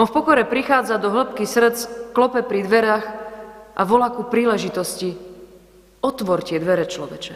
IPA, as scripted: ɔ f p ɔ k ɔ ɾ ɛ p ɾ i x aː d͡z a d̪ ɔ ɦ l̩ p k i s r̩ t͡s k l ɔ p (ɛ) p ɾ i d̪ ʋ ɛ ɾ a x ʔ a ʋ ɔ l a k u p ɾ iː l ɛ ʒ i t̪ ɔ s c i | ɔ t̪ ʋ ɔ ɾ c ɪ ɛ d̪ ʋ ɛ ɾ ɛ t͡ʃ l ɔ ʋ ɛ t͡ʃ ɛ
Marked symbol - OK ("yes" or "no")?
yes